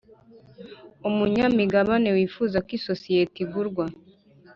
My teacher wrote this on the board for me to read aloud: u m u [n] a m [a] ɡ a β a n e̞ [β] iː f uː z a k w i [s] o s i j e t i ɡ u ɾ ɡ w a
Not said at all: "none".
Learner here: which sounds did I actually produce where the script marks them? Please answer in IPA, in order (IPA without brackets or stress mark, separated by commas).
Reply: ɲ, i, w, s